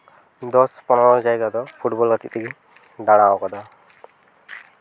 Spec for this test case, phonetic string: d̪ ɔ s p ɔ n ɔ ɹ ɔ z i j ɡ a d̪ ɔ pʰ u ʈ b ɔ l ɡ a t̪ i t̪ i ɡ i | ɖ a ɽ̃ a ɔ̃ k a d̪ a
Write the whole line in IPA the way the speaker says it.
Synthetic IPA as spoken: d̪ ɔ s p ɔ n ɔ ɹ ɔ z a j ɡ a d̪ ɔ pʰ u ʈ b ɔ l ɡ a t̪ i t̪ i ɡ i | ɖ a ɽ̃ a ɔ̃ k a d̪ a

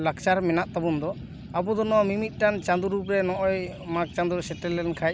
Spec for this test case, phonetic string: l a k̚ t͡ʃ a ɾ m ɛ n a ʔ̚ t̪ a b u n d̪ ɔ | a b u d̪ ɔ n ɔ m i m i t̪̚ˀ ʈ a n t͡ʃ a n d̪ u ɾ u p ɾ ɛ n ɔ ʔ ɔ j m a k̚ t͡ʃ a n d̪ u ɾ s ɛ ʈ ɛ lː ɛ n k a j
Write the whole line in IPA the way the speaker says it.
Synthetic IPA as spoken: l a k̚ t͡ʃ a ɾ m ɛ n a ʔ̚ t̪ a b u n d̪ ɔ | a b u d̪ ɔ n ɔ m i m i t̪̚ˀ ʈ a n t͡ʃ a n d̪ u ɾ u p ɾ ɛ n ɔ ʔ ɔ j m a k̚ t͡ʃ a n d̪ u ɾ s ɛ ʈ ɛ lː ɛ n kʰ a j

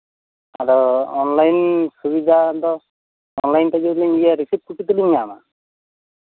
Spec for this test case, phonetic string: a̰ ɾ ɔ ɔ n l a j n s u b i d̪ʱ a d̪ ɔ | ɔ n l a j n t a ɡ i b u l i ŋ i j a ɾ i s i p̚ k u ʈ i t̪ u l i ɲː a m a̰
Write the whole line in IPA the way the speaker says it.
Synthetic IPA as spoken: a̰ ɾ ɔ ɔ n l a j n s u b i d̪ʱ a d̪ ɔ | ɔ n l a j n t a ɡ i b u l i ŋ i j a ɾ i s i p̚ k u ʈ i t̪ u l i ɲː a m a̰

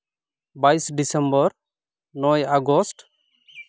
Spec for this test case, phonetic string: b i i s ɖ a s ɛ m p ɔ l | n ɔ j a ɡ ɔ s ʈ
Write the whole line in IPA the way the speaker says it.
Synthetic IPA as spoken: b a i s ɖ i s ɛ m b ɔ ɾ | n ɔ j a ɡ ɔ s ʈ

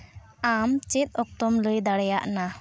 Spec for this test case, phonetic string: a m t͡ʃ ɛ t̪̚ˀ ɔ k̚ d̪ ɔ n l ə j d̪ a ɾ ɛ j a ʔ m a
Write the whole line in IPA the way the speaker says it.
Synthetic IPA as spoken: a m t͡ʃ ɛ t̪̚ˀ ɔ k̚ t̪ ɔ m l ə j d̪ a ɽ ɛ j a ʔ n a

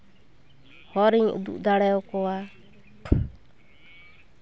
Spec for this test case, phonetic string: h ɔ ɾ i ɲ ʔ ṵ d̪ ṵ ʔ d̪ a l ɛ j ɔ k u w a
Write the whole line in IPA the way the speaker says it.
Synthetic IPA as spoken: h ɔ ɾ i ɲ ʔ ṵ d̪ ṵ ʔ d̪ a ɽ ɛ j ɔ k ɔ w a

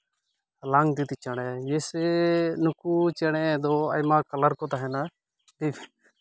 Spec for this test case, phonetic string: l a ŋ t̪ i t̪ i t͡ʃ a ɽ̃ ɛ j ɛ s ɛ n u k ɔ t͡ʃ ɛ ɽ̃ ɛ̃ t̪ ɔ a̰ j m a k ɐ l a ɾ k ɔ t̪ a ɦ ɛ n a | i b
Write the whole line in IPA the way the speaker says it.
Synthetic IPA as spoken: l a ŋ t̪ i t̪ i t͡ʃ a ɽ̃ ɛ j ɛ s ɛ n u k u t͡ʃ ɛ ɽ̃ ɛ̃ d̪ ɔ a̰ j m a k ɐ l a ɾ k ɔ t̪ a ɦ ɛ n a | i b

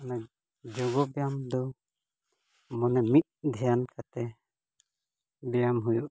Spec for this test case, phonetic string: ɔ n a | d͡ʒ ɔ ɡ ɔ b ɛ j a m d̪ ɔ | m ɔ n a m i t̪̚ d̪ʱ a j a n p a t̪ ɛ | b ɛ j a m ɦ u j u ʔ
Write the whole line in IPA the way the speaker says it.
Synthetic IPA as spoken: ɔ n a | d͡ʒ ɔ ɡ ɔ b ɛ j a m d̪ ɔ | m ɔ n ɛ m i t̪̚ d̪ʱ ɛ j a n k a t̪ ɛ | b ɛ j a m ɦ u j u ʔ

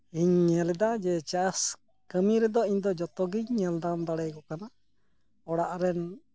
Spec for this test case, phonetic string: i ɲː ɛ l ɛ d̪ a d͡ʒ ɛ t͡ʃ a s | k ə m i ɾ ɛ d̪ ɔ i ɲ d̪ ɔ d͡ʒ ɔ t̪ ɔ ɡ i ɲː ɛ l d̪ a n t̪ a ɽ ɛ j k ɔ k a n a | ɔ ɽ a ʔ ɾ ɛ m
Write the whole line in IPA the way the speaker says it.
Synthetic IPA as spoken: i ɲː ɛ l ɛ d̪ a d͡ʒ ɛ t͡ʃ a s | k ə m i ɾ ɛ d̪ ɔ i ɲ d̪ ɔ d͡ʒ ɔ t̪ ɔ ɡ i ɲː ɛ l d̪ a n d̪ a ɽ ɛ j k ɔ k a n a | ɔ ɽ a ʔ ɾ ɛ n

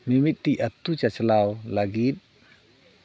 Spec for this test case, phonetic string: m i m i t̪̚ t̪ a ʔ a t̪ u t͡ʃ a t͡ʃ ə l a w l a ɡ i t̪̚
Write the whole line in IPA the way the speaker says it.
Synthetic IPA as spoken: m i m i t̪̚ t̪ i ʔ a t̪ u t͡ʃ a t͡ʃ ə l a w l a ɡ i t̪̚

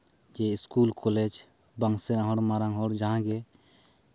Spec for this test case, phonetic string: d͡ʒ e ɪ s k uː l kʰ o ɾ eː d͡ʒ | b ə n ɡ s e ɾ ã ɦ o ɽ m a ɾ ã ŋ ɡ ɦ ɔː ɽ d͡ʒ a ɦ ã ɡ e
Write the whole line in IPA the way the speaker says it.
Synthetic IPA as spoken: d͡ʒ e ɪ s k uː l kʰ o l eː d͡ʒ | b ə ŋ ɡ s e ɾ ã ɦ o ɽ m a ɾ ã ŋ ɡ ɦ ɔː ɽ d͡ʒ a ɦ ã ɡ e

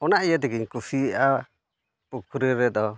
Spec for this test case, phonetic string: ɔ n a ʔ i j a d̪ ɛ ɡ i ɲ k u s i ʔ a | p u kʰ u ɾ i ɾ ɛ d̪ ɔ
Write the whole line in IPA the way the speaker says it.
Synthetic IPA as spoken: ɔ n a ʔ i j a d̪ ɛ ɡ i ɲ k u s i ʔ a | p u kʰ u ɾ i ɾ ɛ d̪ ɔ

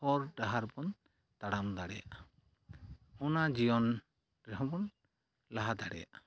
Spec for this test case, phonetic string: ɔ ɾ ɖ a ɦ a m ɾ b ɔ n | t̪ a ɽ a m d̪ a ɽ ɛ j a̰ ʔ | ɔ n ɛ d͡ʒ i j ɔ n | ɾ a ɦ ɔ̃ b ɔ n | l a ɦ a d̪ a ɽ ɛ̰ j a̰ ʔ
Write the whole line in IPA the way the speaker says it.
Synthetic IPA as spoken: ɔ ɾ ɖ a ɦ a ɾ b ɔ n | t̪ a ɽ a m d̪ a ɽ ɛ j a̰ ʔ | ɔ n a d͡ʒ i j ɔ n | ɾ ɛ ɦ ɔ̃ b ɔ n | l a ɦ a d̪ a ɽ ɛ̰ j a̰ ʔ

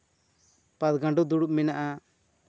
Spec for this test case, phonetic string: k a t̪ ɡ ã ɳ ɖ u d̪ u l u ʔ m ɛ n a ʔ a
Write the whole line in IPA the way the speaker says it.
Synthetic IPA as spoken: p a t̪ ɡ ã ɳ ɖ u d̪ u ɽ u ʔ m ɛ n a ʔ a

